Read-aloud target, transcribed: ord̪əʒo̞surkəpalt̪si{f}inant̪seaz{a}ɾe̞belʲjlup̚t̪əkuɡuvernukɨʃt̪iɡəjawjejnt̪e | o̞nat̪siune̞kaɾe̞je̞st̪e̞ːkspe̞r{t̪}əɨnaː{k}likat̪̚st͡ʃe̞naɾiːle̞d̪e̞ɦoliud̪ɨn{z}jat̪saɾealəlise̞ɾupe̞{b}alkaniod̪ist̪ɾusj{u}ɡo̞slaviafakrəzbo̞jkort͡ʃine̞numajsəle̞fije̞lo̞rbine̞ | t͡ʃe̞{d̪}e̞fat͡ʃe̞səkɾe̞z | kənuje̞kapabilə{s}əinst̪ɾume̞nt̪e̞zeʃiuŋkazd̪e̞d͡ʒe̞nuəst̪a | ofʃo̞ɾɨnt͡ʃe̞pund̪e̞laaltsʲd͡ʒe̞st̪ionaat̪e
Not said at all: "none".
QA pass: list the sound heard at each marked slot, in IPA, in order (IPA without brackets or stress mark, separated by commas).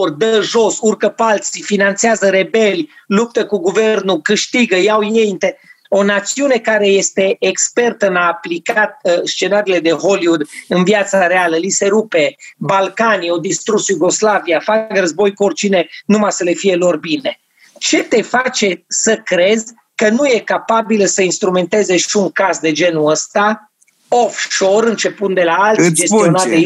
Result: f, ə, t̪, p, v, b, u, t̪, s